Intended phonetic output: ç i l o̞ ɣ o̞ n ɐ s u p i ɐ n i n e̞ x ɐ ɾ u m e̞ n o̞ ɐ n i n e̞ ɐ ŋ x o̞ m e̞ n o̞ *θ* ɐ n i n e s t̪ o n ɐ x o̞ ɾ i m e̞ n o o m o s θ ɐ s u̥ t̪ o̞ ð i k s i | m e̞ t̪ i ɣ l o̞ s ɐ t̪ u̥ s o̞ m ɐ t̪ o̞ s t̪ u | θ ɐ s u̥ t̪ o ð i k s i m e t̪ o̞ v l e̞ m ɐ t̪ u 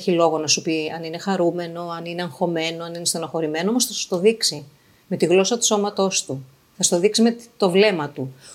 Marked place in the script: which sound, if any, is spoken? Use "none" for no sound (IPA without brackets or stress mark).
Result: none